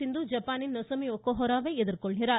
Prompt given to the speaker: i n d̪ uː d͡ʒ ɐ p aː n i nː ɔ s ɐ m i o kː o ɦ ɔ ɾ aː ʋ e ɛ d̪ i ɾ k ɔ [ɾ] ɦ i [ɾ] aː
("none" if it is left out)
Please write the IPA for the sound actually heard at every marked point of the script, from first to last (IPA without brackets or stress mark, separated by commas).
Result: ɭ, ɾ